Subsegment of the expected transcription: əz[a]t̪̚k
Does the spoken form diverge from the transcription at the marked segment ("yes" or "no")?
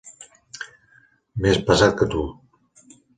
no